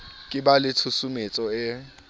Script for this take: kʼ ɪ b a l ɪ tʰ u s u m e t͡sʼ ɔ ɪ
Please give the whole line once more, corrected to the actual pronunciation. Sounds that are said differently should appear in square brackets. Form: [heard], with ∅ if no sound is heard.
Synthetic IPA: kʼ ɪ b a l ɪ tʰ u s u m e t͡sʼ ɔ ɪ